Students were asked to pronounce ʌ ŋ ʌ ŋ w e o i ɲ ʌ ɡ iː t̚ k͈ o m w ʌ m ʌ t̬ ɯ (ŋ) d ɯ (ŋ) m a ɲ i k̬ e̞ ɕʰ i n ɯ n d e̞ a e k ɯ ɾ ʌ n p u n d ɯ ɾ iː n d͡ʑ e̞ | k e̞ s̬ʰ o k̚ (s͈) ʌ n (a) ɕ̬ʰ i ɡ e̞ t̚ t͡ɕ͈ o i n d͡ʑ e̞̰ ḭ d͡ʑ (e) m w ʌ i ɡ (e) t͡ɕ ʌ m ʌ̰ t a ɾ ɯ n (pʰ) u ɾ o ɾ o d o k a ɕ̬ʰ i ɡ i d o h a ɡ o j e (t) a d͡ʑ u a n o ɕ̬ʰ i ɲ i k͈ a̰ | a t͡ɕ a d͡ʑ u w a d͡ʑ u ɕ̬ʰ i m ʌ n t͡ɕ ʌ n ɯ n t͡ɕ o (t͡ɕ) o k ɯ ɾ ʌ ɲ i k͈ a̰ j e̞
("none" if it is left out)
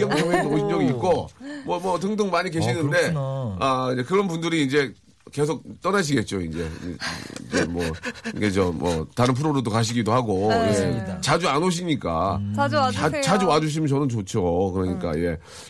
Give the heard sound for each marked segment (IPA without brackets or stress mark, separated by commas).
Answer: ŋ, ŋ, t͈, a, e, e, pʰ, t͡ɕ, t͡ɕʰ